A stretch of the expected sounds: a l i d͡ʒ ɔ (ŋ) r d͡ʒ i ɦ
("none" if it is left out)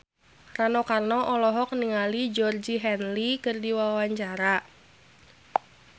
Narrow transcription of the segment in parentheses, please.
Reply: none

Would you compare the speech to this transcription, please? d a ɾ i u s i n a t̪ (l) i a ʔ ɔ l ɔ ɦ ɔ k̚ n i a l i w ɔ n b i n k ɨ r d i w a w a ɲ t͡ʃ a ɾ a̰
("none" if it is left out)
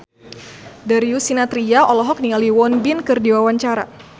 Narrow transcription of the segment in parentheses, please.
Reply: ɾ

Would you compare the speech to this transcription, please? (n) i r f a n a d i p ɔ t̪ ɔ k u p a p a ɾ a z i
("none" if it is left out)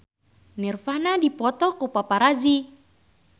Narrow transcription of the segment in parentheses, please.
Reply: n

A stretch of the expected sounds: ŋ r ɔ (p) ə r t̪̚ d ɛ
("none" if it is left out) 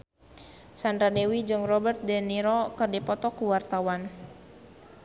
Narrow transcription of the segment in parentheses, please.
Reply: b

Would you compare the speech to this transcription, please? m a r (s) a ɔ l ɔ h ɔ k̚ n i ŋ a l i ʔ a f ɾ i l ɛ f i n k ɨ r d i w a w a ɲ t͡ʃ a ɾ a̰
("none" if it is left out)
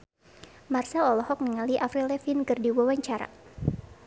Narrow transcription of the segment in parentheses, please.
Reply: s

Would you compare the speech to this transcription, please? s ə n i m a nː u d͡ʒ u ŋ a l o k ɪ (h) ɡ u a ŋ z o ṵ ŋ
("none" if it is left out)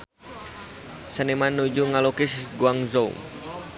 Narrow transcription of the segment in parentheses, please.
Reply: s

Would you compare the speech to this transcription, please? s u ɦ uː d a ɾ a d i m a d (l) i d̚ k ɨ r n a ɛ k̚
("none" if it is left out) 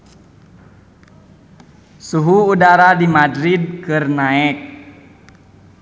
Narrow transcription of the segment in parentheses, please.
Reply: ɾ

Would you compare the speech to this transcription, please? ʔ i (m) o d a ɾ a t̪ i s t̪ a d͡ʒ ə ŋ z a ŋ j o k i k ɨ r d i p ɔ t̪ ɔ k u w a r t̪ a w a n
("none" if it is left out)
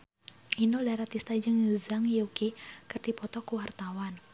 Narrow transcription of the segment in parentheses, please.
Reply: n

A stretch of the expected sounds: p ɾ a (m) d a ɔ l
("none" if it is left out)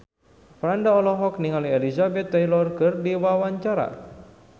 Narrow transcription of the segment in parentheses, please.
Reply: n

